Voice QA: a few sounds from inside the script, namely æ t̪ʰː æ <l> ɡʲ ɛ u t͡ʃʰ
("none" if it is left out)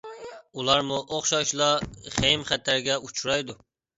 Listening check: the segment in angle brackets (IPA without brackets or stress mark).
ɾ